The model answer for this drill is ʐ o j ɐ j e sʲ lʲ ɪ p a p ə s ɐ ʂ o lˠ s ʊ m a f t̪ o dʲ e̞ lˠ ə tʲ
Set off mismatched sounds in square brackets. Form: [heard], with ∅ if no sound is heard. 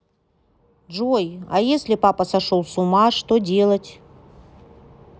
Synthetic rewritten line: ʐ o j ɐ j e sʲ lʲ ɪ p a p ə s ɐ ʂ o lˠ s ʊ m a [ʂ] t̪ o dʲ e̞ lˠ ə tʲ